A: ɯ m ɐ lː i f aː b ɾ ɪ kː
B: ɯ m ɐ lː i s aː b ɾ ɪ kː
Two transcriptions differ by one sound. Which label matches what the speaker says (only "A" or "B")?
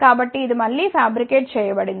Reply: A